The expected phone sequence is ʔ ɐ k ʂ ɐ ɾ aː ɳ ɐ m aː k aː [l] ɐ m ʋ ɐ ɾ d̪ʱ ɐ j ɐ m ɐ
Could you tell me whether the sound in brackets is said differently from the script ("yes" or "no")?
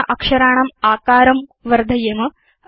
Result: yes